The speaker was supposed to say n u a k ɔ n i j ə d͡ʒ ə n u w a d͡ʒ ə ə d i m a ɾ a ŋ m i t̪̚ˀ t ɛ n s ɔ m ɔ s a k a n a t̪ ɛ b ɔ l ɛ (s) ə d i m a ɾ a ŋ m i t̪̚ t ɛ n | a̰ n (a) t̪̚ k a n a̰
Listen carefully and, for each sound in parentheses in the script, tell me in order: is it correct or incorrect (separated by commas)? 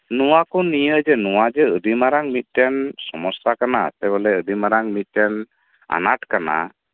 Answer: incorrect, correct